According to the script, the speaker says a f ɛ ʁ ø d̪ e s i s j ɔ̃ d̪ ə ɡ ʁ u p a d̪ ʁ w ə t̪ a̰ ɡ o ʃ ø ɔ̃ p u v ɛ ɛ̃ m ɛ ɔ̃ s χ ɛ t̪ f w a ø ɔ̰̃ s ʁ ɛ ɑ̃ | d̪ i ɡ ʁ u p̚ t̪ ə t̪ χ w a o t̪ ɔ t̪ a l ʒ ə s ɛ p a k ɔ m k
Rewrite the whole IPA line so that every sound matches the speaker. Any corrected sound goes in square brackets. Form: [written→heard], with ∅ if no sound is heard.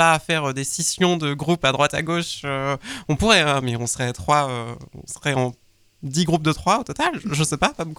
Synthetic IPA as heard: a f ɛ ʁ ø d̪ e s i s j ɔ̃ d̪ ə ɡ ʁ u p a d̪ ʁ w [ə→a] t̪ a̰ ɡ o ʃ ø ɔ̃ p u [v→ʁ] ɛ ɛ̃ m ɛ ɔ̃ s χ ɛ t̪ [f→χ] w a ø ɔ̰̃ s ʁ ɛ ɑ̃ | d̪ i ɡ ʁ u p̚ [t̪→d̪] ə t̪ χ w a o t̪ ɔ t̪ a l ʒ ə s ɛ p a k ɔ m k